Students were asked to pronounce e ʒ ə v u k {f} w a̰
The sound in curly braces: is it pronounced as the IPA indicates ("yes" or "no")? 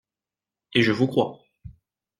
no